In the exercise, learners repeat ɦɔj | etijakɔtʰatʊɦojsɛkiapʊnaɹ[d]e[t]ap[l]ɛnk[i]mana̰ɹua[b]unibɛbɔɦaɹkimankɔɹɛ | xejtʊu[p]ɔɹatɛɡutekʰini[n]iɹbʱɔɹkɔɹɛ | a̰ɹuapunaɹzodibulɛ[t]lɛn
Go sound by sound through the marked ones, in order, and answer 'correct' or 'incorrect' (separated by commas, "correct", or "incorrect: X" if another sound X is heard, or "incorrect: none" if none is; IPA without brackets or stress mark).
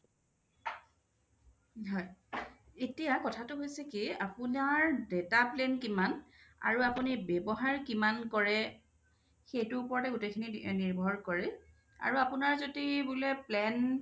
correct, correct, correct, correct, incorrect: p, correct, correct, incorrect: p